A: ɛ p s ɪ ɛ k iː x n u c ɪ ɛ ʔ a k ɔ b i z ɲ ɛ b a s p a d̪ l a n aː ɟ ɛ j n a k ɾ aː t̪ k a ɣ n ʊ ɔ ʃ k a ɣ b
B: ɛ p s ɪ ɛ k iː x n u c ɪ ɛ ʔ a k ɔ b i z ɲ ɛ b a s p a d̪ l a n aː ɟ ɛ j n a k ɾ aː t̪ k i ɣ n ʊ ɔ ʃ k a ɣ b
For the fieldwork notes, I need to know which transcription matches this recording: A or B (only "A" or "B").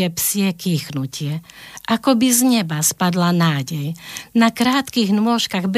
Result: B